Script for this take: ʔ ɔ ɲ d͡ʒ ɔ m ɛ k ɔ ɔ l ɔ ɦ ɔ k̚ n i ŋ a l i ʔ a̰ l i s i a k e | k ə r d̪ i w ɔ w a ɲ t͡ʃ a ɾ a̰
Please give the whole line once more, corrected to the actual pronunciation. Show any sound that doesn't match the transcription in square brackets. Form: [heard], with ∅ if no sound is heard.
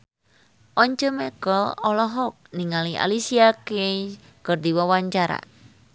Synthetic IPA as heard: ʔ ɔ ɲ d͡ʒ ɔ m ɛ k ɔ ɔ l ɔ ɦ ɔ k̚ n i ŋ a l i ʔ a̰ l i s i a k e | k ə r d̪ i w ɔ w a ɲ t͡ʃ a ɾ a̰